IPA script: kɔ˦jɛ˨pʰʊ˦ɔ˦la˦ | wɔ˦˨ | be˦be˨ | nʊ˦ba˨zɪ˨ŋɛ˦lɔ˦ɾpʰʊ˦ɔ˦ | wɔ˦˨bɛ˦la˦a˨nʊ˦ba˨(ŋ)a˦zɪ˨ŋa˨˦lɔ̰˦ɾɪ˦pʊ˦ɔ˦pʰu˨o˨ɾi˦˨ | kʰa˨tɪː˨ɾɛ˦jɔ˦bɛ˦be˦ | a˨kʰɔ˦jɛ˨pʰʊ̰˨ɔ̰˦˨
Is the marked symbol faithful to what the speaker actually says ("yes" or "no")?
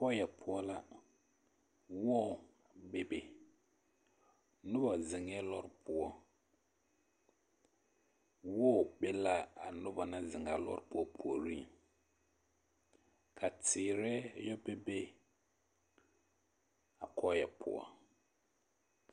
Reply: no